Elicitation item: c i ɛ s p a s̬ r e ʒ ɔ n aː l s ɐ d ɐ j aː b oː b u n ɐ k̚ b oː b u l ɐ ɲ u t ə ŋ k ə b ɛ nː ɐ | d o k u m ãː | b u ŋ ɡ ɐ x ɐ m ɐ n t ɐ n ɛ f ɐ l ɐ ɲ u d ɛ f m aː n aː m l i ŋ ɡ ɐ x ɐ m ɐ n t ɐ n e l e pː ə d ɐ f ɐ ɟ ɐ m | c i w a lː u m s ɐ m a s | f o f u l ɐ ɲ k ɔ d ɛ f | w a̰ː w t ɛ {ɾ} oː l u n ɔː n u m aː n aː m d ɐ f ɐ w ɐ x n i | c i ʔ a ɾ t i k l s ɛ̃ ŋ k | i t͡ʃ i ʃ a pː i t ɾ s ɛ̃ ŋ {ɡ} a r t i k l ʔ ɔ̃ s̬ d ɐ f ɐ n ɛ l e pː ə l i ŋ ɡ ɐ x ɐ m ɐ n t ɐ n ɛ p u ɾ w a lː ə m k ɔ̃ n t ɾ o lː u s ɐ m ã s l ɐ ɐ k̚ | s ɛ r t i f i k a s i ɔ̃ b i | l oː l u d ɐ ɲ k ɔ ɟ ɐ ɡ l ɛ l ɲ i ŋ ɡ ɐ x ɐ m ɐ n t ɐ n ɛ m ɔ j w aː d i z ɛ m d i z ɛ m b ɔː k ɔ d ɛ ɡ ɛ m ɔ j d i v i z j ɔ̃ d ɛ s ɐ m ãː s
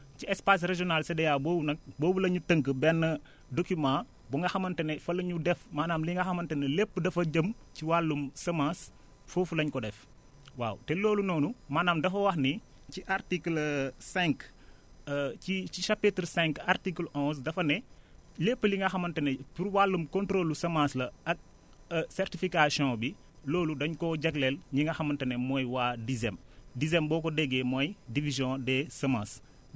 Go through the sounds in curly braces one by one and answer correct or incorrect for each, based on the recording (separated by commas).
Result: incorrect, incorrect